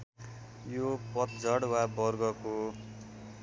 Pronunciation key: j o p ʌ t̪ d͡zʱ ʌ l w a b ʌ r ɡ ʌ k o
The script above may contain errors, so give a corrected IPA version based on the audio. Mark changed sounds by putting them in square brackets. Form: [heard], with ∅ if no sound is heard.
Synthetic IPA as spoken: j o p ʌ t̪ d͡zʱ ʌ [ɽ] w a b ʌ r ɡ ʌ k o